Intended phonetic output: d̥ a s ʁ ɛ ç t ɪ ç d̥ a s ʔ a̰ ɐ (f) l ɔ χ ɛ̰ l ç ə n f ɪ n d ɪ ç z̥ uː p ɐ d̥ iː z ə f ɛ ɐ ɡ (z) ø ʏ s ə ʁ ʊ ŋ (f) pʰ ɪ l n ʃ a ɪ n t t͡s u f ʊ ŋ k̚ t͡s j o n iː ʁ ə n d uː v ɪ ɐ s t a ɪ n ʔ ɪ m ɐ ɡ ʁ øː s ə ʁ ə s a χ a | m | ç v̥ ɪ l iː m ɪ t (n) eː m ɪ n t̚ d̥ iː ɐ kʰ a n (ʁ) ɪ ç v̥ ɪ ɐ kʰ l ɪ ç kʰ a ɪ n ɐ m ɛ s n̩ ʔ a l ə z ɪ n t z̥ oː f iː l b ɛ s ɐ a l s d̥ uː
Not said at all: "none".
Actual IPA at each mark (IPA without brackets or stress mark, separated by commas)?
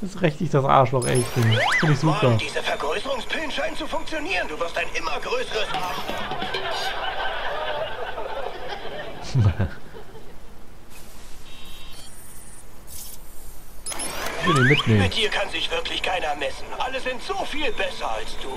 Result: ʃ, ʁ, s, n, z